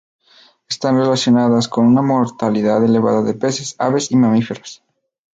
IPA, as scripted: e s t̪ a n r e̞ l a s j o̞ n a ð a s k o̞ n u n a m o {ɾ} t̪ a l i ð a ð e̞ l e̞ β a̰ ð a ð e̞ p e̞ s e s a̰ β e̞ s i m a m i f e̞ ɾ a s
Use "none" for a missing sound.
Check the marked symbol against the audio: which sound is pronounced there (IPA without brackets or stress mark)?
ɾ